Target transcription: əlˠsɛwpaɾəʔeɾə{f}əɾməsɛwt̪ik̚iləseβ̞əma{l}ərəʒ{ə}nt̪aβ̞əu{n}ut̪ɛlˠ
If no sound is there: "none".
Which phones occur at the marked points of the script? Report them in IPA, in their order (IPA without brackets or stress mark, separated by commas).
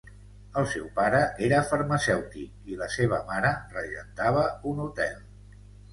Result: f, ɾ, ə, n